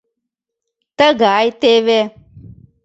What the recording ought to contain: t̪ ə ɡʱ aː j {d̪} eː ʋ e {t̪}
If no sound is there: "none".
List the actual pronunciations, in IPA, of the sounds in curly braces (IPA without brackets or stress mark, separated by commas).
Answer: t̪, none